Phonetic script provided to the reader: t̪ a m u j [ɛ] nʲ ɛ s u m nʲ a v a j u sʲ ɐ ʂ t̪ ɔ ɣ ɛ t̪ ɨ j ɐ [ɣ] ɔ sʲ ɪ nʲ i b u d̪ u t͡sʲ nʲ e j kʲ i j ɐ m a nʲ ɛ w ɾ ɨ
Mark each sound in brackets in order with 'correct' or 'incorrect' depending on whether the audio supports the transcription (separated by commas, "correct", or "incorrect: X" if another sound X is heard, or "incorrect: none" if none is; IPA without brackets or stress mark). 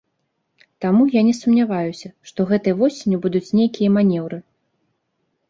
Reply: incorrect: a, incorrect: v